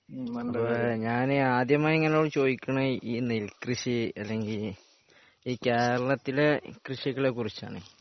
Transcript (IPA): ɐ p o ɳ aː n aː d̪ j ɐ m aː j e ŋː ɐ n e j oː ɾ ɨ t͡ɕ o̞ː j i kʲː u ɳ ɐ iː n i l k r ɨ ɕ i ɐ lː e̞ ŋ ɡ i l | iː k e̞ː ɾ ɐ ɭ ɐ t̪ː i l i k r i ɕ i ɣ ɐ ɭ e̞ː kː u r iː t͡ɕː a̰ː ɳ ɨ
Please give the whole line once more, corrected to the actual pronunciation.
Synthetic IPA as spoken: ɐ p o ɲ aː n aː d̪ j ɐ m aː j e ŋː ɐ n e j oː ɽ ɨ t͡ɕ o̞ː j i kʲː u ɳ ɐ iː n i l k r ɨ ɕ i ɐ lː e̞ ŋ ɡ i l | iː k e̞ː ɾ ɐ ɭ ɐ t̪ː i l e k r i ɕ i ɣ ɐ ɭ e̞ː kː u r i t͡ɕː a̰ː ɳ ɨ